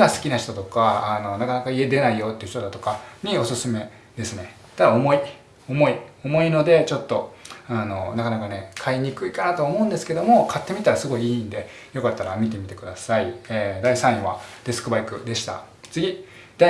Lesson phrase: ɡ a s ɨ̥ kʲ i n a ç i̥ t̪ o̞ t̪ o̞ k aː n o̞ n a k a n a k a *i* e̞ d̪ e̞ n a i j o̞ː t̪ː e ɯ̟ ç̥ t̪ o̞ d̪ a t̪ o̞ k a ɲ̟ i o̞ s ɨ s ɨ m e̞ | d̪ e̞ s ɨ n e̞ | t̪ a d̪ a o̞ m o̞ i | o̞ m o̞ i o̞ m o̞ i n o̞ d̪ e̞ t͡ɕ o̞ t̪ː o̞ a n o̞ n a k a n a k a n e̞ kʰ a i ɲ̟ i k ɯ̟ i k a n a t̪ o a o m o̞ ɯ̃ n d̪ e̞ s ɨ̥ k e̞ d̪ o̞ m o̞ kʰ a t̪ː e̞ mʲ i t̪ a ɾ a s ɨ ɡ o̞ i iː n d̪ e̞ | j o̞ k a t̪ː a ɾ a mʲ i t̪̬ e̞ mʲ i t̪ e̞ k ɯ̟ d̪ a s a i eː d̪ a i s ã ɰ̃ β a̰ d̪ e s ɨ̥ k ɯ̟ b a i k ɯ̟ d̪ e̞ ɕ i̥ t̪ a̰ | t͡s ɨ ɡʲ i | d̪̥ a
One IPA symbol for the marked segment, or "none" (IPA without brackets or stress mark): i